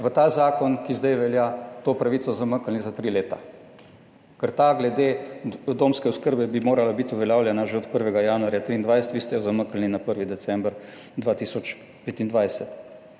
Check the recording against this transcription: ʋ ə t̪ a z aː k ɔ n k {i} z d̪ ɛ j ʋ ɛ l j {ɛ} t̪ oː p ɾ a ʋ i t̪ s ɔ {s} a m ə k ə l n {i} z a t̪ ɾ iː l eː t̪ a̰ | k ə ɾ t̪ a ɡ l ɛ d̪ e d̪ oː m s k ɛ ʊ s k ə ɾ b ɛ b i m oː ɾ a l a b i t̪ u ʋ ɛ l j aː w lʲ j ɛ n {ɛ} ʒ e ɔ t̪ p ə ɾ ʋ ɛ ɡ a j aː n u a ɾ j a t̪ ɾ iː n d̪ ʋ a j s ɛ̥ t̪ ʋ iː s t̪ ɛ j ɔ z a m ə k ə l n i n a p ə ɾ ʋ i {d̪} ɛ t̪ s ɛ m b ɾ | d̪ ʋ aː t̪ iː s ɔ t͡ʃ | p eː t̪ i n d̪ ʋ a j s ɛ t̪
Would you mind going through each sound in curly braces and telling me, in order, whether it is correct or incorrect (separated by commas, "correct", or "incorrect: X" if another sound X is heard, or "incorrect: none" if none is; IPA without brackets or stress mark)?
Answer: correct, incorrect: a, incorrect: z, correct, incorrect: a, correct